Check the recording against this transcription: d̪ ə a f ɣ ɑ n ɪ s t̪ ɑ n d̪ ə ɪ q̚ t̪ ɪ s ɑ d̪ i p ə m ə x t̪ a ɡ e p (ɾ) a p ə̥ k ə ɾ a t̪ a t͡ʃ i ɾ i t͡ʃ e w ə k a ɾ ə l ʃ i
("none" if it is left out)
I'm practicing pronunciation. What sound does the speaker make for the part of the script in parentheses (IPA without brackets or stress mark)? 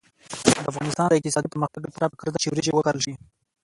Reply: ɾ